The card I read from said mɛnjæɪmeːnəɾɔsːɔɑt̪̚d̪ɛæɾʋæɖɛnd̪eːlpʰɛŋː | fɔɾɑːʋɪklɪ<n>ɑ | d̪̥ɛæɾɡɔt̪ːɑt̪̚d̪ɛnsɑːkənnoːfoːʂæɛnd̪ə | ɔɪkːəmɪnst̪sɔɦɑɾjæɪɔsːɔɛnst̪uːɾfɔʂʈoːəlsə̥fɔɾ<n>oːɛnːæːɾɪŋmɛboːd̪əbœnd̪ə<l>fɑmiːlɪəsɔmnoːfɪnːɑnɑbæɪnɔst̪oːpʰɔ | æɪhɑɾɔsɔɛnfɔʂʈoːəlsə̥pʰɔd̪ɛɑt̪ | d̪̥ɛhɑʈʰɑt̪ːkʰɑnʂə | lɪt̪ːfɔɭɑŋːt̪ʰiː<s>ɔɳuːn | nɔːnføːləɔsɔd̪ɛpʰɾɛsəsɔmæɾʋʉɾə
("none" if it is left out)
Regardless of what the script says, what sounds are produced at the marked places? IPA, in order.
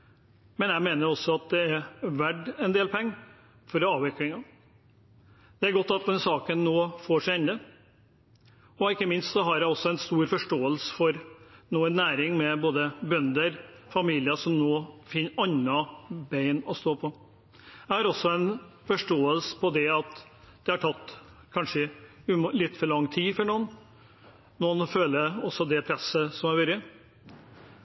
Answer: ŋ, n, ɾ, f

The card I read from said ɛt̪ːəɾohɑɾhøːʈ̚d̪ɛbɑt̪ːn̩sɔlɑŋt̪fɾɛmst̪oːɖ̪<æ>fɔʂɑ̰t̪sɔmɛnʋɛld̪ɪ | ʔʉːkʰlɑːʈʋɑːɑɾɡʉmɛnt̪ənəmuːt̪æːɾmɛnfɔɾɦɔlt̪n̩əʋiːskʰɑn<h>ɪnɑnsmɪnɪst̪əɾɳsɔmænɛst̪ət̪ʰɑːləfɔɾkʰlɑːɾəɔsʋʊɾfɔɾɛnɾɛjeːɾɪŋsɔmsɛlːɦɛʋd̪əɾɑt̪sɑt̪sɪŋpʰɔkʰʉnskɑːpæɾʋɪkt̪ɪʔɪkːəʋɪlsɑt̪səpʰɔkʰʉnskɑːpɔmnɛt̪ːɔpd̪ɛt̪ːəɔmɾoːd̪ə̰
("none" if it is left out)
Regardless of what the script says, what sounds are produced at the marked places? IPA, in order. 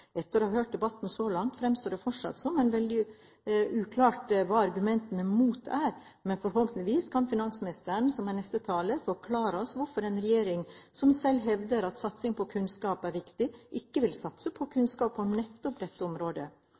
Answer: ɛ, f

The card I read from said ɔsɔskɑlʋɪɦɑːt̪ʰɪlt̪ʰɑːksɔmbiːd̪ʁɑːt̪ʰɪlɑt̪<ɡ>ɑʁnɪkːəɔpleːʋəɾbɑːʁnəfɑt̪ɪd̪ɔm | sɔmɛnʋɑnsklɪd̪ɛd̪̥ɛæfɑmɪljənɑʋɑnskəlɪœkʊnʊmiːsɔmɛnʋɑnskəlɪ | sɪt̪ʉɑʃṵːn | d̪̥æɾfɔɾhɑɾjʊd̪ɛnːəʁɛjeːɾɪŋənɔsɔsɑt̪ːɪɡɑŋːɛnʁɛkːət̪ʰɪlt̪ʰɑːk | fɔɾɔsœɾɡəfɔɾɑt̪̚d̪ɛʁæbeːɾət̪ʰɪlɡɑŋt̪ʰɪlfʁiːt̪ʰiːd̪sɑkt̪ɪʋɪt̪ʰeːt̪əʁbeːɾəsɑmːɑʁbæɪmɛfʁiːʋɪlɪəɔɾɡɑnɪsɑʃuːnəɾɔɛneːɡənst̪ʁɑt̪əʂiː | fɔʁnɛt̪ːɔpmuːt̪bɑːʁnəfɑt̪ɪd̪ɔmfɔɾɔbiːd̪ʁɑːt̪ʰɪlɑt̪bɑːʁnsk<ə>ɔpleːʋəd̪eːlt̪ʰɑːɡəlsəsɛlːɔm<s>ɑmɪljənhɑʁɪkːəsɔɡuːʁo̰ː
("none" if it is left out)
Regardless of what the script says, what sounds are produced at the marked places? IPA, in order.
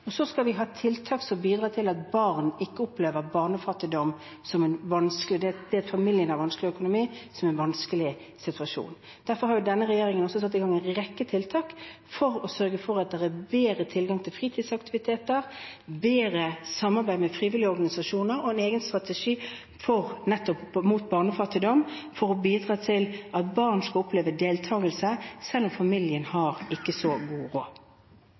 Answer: b, ɑ, f

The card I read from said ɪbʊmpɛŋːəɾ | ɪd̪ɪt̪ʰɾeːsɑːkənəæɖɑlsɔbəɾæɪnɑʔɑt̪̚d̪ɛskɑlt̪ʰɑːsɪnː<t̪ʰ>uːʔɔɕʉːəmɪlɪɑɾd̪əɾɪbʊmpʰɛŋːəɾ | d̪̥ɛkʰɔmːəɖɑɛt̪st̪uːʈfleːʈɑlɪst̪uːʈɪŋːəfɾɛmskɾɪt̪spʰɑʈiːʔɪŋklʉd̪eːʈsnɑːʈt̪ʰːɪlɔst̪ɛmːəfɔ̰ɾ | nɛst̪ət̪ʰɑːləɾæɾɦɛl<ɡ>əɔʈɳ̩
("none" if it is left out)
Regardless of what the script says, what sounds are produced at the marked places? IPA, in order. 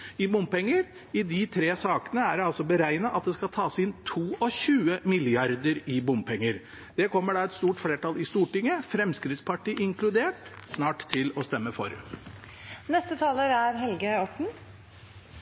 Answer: t̪ʰ, ɡ

